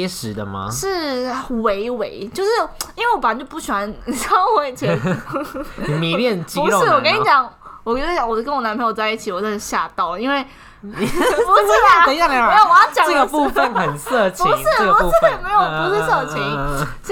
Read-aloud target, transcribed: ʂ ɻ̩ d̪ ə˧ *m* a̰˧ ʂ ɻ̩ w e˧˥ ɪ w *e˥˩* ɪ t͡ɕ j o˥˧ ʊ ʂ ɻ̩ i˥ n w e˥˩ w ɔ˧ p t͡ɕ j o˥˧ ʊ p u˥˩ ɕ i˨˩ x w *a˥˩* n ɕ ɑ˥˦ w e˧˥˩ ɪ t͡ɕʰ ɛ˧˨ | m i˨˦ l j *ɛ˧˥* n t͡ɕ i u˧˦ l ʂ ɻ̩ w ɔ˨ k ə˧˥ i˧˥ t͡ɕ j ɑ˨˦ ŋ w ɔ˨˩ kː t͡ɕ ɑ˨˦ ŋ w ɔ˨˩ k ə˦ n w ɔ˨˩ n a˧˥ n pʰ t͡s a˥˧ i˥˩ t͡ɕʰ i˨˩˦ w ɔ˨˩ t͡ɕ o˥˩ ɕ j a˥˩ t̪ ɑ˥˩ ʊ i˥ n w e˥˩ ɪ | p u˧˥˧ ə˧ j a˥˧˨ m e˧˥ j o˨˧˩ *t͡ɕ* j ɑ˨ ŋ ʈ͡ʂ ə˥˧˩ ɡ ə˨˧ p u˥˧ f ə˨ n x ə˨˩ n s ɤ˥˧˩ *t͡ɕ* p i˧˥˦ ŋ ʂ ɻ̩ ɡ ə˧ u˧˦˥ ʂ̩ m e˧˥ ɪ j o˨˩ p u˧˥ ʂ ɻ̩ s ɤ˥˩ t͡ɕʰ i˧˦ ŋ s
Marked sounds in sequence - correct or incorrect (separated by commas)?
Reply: correct, incorrect, incorrect, incorrect, correct, incorrect